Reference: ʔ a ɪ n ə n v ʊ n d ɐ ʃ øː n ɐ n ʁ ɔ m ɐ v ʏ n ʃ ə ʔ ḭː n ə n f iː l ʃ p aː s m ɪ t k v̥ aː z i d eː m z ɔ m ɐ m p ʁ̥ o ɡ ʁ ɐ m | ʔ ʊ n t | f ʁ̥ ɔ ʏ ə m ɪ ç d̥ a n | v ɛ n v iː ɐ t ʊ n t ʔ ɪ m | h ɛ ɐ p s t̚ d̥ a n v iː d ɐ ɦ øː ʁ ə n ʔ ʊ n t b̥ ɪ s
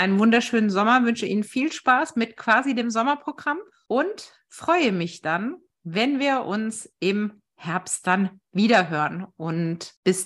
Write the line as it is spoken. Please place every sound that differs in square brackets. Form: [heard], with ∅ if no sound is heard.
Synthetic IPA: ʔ a ɪ n ə n v ʊ n d ɐ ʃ øː n [ə] n [z] ɔ m ɐ v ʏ n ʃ ə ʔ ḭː n ə n f iː l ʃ p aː s m ɪ t k v̥ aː z i d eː m z ɔ m ɐ [∅] p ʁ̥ o ɡ ʁ [a] m | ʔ ʊ n t | f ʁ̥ ɔ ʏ ə m ɪ ç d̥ a n | v ɛ n v iː ɐ [ʔ] ʊ n [s] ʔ ɪ m | h ɛ ɐ p s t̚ d̥ a n v iː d ɐ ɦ øː ʁ ə n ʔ ʊ n t b̥ ɪ s